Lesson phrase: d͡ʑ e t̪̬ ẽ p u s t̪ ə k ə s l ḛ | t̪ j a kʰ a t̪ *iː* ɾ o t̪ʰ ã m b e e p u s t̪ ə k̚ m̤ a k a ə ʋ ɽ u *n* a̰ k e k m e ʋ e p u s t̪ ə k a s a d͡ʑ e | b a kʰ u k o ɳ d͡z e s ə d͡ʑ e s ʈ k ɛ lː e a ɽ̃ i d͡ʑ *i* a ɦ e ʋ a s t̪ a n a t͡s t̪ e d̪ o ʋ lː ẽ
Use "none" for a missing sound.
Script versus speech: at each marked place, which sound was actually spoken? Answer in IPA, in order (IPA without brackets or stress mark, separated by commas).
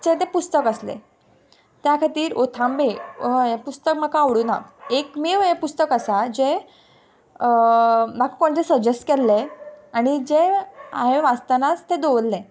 iː, n, e